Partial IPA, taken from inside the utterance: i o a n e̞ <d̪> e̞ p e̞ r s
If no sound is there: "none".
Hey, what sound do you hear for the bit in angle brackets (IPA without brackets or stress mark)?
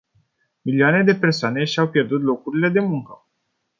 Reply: d̪